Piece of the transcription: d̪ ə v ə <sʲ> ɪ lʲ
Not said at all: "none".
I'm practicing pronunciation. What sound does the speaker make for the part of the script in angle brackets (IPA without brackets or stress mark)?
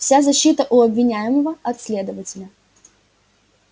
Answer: tʲ